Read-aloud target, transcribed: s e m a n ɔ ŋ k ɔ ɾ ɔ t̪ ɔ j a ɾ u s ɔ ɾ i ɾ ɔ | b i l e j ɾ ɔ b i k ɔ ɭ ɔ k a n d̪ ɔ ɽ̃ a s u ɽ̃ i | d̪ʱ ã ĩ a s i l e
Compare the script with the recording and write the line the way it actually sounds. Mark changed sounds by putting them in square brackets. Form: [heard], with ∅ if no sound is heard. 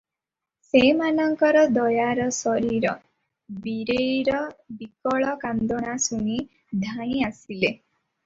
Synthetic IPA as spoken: s e m a n ɔ ŋ k ɔ ɾ ɔ [d̪] ɔ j a ɾ [ɔ] s ɔ ɾ i ɾ ɔ | b i [ɾ] e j ɾ ɔ b i k ɔ ɭ ɔ k a n d̪ ɔ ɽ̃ a s u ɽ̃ i | d̪ʱ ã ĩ a s i l e

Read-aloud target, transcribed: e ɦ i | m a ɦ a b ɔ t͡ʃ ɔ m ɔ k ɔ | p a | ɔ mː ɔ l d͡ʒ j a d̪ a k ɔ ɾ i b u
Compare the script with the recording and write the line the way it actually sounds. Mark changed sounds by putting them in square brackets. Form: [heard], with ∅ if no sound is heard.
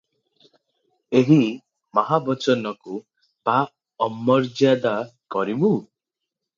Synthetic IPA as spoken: e ɦ i | m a ɦ a b ɔ t͡ʃ ɔ [n] ɔ k [u] | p a | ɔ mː ɔ [ɾ] d͡ʒ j a d̪ a k ɔ ɾ i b u

